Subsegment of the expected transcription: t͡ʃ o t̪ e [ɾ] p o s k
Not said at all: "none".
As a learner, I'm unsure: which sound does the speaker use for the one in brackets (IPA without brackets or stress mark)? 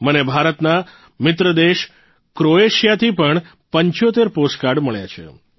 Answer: ɾ